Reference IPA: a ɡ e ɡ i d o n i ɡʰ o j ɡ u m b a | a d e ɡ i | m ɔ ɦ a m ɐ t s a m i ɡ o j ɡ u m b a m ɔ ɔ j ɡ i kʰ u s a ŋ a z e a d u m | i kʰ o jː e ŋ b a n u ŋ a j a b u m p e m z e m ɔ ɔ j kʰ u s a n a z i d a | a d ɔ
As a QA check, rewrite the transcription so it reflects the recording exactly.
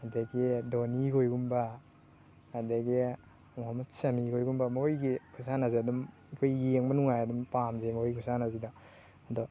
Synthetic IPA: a d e ɡ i d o n i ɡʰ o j ɡ u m b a | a d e ɡ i | m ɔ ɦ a m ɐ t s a m i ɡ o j ɡ u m b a m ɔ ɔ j ɡ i kʰ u s a n a z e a d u m | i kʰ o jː e ŋ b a n u ŋ a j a d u m p a m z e m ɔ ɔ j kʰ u s a n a z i d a | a d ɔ